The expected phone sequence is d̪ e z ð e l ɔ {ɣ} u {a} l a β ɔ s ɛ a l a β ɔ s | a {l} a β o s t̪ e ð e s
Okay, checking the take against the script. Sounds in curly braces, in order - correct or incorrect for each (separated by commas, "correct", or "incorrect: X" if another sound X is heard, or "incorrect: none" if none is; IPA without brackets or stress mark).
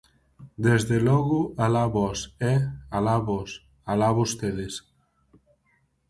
correct, correct, correct